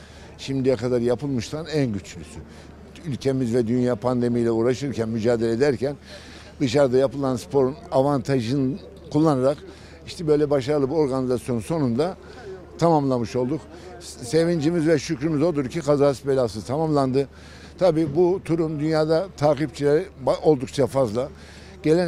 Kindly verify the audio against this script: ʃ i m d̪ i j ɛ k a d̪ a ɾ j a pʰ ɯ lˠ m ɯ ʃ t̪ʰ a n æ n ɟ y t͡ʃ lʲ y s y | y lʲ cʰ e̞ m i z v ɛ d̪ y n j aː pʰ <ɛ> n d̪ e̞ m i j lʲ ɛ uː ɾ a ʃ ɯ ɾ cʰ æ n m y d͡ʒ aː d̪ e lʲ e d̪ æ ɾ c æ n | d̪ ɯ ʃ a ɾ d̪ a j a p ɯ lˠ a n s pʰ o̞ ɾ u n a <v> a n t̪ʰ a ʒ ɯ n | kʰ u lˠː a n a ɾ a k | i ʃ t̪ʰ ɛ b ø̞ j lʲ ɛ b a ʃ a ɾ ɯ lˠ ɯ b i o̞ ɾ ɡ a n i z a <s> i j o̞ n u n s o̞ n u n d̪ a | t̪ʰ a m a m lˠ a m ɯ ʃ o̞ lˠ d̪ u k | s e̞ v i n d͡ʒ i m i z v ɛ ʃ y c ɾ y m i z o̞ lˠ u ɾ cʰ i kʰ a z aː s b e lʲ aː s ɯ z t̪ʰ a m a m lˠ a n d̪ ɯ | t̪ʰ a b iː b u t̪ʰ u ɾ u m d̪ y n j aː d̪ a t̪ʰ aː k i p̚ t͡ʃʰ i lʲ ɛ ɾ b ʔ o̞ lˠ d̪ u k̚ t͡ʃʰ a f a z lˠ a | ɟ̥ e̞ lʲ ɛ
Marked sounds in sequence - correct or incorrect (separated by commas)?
incorrect, correct, correct